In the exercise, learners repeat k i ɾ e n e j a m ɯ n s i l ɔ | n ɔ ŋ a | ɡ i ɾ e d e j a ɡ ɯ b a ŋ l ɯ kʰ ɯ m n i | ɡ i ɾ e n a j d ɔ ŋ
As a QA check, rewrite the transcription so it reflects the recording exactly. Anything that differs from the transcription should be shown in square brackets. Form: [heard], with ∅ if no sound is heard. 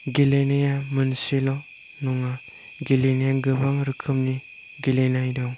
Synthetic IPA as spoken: [ɡ] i [l] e n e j a m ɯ n s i l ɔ | n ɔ ŋ a | ɡ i [l] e [n] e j a ɡ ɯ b a ŋ [ɾ] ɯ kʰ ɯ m n i | ɡ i [l] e n a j d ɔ ŋ